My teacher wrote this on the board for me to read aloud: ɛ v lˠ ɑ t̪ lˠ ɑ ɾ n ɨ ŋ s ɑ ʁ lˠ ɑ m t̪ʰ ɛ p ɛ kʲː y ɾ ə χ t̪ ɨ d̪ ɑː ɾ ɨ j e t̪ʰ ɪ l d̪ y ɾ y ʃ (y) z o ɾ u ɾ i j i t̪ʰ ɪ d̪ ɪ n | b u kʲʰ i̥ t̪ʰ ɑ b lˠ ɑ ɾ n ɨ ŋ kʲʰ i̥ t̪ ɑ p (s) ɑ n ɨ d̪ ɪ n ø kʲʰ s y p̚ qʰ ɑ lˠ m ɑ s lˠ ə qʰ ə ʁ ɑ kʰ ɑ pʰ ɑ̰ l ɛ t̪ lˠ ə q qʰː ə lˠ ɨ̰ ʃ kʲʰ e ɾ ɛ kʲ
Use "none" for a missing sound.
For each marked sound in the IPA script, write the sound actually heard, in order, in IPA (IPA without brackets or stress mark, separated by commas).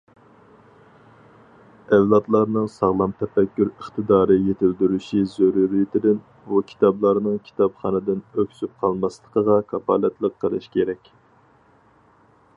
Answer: i, χ